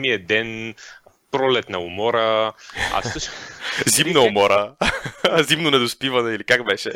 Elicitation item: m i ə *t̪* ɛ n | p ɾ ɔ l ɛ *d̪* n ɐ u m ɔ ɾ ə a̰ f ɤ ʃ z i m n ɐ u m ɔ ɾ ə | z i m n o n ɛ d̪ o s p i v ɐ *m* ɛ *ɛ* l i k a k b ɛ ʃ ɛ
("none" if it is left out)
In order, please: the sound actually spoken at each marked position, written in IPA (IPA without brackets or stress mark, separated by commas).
d̪, t̪, n, i